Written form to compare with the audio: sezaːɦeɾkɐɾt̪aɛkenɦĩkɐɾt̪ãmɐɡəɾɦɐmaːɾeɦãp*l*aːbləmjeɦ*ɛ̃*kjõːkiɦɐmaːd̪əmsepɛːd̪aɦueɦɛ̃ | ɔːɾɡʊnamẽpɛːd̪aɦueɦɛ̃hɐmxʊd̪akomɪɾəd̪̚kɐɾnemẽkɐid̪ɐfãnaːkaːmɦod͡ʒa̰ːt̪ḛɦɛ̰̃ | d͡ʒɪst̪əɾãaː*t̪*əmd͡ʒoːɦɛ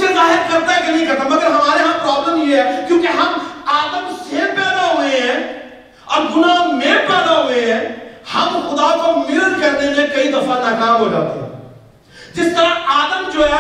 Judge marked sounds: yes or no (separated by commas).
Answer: no, no, no